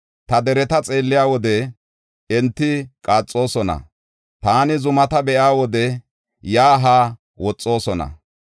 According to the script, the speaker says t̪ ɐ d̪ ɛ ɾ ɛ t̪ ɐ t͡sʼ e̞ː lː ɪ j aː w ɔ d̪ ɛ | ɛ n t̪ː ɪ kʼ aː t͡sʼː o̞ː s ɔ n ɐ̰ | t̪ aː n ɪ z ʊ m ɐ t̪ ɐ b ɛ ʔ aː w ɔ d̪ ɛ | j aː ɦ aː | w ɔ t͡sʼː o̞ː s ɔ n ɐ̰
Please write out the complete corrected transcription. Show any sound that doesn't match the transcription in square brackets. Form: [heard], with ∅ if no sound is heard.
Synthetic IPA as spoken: t̪ ɐ d̪ ɛ ɾ ɛ t̪ ɐ t͡sʼ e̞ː lː ɪ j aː w ɔ d̪ ɛ | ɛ n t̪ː ɪ kʼ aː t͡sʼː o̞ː s ɔ n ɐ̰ | t̪ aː n ɪ z ʊ m ɐ t̪ ɐ b ɛ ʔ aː w ɔ d̪ ɛ | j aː ɦ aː | w ɔ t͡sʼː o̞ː s ɔ n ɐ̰